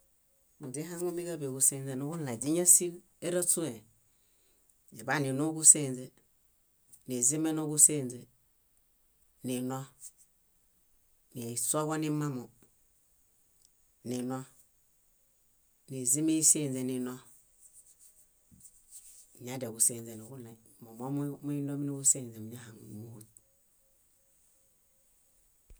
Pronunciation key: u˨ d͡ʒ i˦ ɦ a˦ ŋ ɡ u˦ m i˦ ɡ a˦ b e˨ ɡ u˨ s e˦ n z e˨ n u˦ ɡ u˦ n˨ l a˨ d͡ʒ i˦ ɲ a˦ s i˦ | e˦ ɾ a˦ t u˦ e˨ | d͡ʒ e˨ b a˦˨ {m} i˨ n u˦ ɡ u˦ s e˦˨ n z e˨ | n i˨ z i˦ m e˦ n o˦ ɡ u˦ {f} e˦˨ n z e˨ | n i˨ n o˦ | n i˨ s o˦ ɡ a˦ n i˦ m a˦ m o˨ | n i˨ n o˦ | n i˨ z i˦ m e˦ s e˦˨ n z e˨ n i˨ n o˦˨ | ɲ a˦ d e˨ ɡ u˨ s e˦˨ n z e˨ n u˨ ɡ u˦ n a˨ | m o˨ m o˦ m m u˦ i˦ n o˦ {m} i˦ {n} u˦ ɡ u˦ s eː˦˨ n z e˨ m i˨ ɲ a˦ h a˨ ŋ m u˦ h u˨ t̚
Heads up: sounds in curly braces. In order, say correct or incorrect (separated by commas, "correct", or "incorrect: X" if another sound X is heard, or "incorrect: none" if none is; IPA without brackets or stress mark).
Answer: incorrect: n, incorrect: s, correct, correct